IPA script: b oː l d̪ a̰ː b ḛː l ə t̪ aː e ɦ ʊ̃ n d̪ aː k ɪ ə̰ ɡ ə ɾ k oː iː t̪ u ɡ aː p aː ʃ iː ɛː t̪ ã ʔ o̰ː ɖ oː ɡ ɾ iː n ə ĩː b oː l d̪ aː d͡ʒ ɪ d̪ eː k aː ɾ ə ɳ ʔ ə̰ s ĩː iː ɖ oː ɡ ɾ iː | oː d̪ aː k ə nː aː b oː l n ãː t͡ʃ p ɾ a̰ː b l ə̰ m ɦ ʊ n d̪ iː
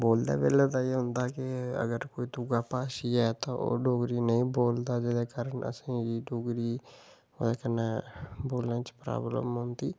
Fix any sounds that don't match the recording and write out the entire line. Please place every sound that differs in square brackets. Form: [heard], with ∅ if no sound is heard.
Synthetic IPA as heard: b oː l d̪ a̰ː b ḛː l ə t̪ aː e ɦ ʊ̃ n d̪ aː k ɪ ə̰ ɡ ə ɾ k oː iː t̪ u ɡ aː p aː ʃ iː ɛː t̪ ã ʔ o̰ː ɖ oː ɡ ɾ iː n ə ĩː b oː l d̪ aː d͡ʒ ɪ d̪ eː k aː ɾ ə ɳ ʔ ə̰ s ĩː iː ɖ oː ɡ ɾ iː | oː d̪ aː k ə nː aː b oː l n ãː t͡ʃ p ɾ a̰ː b l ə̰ m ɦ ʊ n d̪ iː